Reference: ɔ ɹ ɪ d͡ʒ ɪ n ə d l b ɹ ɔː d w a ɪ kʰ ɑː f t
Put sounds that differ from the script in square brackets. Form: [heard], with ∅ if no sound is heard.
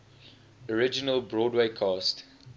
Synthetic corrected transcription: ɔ ɹ ɪ d͡ʒ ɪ n ə [∅] l b ɹ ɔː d w [e] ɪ kʰ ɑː [s] t